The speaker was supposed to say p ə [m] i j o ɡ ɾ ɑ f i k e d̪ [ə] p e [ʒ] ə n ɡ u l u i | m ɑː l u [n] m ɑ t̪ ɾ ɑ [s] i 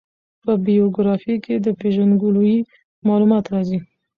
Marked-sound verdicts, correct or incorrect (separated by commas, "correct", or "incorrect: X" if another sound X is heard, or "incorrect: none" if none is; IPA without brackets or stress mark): incorrect: b, correct, correct, incorrect: none, incorrect: z